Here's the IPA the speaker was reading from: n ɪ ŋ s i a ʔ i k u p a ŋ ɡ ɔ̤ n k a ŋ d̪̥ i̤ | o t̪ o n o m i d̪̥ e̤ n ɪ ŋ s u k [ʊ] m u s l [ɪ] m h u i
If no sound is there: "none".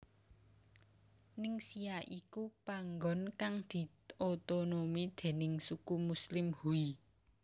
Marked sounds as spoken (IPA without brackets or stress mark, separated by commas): u, ɪ